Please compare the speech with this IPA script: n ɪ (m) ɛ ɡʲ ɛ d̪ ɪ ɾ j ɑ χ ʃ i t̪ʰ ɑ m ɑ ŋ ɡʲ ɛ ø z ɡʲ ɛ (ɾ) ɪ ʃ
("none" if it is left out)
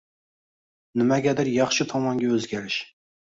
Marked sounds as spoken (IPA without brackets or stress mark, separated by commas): m, ɾ